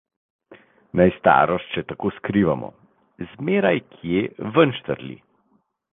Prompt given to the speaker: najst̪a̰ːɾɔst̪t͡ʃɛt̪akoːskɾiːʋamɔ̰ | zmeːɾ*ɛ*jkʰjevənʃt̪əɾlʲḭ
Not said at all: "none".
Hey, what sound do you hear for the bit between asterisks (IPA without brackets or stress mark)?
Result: a